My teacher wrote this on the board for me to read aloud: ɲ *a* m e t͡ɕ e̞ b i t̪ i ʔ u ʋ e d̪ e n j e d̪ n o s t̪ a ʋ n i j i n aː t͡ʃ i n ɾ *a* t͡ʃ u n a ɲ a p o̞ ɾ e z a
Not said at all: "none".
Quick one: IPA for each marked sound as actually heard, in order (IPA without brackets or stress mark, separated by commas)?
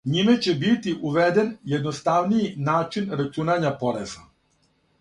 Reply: i, a